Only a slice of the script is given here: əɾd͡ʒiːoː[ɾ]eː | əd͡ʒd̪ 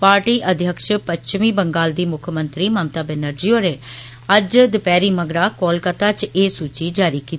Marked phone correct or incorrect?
correct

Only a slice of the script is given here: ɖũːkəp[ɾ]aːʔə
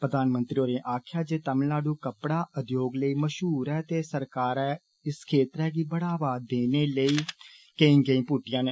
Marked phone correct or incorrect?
incorrect: ɽ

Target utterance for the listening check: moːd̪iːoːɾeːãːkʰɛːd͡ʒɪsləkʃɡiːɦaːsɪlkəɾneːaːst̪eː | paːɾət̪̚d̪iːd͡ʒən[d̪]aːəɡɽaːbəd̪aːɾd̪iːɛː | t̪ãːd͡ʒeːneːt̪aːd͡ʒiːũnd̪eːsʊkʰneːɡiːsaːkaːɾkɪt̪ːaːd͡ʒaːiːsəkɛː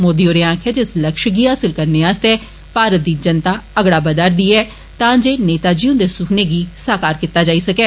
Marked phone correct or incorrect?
incorrect: t̪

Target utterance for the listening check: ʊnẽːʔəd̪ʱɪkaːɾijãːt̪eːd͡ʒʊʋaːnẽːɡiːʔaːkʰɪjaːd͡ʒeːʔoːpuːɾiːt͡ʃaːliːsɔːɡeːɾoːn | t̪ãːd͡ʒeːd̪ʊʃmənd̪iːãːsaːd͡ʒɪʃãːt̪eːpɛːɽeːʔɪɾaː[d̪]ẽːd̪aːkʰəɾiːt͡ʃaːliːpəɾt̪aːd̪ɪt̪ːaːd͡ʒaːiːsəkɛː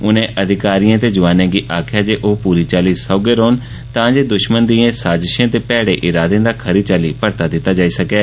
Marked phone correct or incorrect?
correct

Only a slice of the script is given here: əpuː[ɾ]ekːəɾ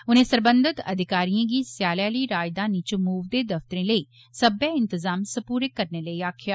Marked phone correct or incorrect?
correct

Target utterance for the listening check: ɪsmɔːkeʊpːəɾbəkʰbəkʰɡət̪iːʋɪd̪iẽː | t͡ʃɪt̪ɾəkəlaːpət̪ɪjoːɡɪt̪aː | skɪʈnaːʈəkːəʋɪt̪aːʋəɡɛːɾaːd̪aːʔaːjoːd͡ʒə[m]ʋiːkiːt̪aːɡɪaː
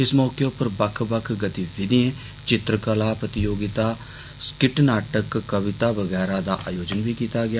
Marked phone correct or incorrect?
incorrect: n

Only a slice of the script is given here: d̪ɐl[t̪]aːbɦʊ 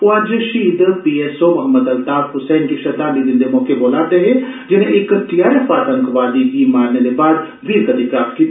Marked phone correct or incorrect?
correct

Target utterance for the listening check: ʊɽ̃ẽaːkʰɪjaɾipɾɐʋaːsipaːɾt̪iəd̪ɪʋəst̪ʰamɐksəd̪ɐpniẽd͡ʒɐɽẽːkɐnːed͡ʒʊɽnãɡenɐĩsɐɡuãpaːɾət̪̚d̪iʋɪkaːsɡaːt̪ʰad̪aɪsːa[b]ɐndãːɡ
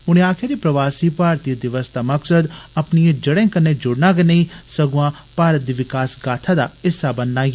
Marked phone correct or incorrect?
correct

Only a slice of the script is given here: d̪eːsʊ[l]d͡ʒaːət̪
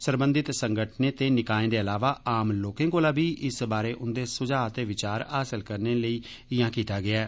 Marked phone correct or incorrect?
incorrect: none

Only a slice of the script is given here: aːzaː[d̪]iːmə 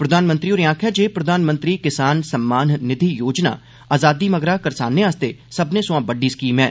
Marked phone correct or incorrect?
correct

